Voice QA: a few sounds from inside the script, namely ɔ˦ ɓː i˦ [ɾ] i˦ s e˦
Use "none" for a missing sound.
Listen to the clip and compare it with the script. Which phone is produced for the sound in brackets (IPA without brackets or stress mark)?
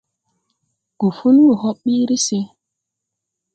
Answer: ɾ